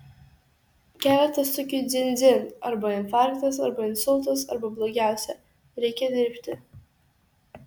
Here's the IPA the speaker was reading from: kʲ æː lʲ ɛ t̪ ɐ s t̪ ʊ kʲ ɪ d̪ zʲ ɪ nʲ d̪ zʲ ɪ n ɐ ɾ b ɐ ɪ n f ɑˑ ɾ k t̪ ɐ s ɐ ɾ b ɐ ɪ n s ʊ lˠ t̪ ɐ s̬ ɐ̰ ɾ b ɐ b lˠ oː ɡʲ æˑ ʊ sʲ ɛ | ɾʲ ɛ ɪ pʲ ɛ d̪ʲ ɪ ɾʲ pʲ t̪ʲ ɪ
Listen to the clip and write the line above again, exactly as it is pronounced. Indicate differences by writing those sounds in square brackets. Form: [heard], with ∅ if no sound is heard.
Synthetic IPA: kʲ æː lʲ ɛ t̪ ɐ s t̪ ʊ kʲ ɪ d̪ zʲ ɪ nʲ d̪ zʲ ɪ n ɐ ɾ b ɐ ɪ n f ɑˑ ɾ k t̪ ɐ s ɐ ɾ b ɐ ɪ n s ʊ lˠ t̪ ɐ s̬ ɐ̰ ɾ b ɐ b lˠ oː ɡʲ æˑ ʊ sʲ ɛ | ɾʲ ɛ ɪ [kʲ] ɛ d̪ʲ ɪ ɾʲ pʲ t̪ʲ ɪ